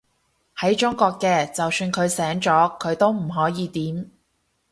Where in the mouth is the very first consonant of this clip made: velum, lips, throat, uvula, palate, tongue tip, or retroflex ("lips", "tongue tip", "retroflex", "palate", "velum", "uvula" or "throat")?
throat